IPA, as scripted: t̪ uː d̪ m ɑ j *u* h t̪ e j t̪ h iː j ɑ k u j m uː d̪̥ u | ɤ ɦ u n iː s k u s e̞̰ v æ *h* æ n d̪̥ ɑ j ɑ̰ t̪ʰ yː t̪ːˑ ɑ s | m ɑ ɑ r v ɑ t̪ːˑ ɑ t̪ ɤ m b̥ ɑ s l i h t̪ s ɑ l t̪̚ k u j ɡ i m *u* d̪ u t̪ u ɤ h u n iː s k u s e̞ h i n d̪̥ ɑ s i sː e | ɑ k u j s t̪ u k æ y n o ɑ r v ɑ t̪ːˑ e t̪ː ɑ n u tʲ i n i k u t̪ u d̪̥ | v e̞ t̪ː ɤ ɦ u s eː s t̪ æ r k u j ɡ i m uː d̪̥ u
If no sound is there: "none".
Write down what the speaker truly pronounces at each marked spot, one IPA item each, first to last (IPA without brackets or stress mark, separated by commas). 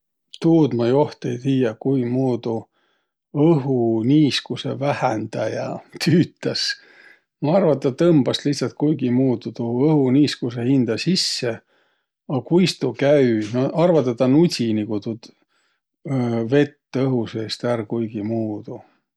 o, h, uː